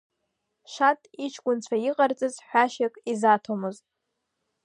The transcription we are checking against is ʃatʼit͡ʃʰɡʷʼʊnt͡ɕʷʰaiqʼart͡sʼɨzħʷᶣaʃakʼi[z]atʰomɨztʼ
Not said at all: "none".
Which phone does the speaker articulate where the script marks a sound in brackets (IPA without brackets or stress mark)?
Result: z